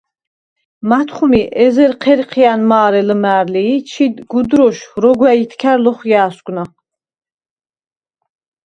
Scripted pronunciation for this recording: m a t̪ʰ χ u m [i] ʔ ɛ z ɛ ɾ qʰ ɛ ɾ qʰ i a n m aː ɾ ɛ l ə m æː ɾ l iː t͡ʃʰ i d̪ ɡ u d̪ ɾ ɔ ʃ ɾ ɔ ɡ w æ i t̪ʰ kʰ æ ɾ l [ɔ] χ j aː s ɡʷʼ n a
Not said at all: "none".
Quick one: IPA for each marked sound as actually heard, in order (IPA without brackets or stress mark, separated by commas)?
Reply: i, ɔ